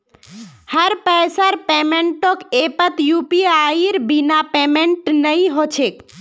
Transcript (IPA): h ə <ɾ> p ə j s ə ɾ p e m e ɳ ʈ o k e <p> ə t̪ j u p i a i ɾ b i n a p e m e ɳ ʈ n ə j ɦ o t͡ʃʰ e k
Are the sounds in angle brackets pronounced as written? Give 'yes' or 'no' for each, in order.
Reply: yes, yes

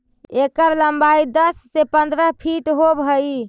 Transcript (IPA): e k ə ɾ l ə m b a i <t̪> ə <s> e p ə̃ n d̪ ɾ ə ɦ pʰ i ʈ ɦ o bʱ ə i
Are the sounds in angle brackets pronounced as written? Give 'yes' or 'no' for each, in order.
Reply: no, no

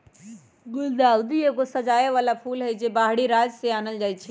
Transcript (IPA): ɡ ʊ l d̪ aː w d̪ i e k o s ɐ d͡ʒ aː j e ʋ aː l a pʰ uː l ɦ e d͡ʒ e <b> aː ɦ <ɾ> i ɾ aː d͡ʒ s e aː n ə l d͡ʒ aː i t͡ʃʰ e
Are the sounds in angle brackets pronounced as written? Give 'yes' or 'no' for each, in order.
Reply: yes, no

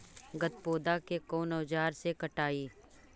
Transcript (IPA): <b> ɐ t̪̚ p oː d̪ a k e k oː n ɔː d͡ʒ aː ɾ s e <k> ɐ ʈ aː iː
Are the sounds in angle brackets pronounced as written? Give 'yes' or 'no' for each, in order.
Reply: no, yes

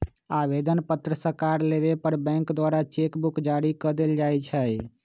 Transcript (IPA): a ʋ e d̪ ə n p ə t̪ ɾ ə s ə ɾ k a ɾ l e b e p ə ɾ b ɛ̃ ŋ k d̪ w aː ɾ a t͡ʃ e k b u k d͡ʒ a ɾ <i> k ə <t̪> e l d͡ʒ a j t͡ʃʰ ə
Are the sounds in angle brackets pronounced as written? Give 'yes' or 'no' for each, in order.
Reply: yes, no

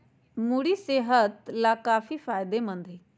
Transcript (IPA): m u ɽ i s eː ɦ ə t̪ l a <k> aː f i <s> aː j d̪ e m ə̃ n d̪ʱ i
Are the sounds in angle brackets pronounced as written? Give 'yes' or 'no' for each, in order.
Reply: yes, no

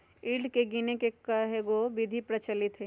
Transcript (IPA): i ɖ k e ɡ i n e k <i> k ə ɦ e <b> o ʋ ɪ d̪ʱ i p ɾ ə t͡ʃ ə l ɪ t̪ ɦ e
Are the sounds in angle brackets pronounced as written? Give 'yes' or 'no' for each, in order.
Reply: no, no

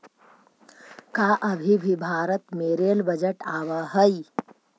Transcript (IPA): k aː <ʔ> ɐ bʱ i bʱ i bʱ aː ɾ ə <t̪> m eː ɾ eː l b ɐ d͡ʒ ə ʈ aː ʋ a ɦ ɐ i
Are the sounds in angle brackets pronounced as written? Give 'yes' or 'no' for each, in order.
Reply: yes, yes

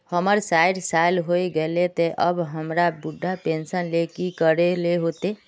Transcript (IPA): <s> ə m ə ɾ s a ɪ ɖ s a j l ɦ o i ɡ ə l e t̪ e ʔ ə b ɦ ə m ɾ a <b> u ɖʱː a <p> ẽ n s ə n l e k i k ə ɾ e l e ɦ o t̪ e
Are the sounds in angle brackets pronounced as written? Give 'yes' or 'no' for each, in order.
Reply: no, yes, yes

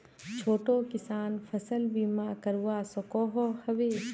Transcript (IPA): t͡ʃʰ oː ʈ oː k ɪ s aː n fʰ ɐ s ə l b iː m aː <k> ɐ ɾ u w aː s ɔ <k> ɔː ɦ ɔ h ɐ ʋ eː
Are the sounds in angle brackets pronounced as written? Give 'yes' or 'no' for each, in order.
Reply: yes, yes

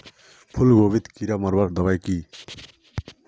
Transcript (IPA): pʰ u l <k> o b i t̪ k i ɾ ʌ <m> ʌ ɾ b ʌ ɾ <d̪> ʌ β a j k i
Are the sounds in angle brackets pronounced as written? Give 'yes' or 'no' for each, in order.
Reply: no, yes, yes

